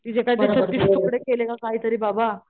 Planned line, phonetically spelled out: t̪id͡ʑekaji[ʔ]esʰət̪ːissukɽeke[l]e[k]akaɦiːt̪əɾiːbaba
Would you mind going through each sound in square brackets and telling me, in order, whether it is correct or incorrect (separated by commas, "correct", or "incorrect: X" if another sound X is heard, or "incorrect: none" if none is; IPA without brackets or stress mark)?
incorrect: t, correct, correct